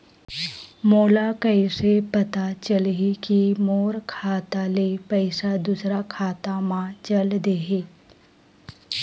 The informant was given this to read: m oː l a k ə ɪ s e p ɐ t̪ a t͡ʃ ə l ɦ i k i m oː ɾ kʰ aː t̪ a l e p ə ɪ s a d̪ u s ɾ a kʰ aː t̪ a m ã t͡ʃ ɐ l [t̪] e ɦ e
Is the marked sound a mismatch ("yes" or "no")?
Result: yes